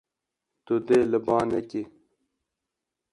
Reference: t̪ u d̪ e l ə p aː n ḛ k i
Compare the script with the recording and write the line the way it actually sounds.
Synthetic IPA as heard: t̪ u d̪ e l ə b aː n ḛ k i